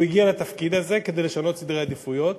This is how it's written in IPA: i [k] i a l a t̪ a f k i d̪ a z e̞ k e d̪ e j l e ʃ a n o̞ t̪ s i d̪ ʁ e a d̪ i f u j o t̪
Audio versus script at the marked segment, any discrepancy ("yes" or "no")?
yes